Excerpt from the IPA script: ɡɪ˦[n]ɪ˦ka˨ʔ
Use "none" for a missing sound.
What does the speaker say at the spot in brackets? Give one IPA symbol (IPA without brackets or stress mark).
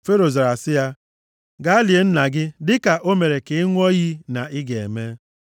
d